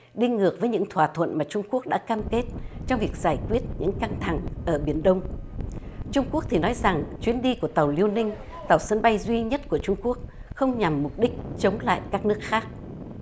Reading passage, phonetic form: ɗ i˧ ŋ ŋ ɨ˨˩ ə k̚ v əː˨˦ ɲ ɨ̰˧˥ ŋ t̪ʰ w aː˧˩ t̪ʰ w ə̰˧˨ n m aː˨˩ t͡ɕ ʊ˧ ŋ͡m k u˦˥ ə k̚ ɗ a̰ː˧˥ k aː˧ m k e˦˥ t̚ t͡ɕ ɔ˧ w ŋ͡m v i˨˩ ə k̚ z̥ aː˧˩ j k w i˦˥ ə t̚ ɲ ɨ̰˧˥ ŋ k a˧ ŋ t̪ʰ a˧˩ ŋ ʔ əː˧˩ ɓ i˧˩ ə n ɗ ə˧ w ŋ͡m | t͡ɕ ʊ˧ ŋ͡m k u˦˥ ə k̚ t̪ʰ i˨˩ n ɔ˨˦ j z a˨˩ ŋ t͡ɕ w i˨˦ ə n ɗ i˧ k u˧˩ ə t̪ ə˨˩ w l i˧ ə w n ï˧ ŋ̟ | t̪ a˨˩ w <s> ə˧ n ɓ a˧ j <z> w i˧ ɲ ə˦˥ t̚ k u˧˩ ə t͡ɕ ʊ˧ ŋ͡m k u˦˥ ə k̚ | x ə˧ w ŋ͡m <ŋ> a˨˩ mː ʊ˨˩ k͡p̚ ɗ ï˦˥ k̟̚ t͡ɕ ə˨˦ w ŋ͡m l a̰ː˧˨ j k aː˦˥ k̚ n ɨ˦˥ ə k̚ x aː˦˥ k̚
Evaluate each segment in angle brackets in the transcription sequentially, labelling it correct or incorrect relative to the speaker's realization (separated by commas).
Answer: correct, correct, incorrect